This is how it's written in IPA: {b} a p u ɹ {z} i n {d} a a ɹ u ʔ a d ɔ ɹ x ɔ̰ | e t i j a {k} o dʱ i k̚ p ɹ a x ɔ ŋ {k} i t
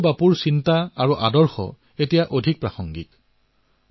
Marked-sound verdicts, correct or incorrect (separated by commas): correct, incorrect, incorrect, incorrect, incorrect